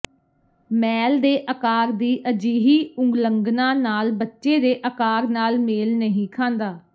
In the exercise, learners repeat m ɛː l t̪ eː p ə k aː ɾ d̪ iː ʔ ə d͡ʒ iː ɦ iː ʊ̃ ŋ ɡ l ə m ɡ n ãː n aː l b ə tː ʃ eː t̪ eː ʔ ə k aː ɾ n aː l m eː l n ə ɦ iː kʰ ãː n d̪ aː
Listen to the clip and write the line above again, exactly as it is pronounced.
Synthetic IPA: m ɛː l d̪ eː ʔ ə k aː ɾ d̪ iː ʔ ə d͡ʒ iː ɦ iː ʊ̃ ŋ ɡ l ə ŋ ɡ n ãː n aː l b ə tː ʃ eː d̪ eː ʔ ə k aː ɾ n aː l m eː l n ə ɦ ĩː kʰ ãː n d̪ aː